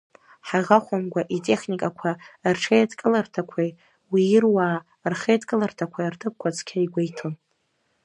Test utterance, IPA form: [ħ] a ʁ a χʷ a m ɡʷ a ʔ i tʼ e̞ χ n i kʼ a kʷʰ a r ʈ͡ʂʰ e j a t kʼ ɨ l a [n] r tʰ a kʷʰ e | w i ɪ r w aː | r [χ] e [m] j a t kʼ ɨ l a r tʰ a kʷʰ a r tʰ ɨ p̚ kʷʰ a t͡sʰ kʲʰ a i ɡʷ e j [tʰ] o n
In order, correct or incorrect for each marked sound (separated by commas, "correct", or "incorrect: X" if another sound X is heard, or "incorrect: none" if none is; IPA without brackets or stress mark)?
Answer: correct, incorrect: none, correct, incorrect: none, correct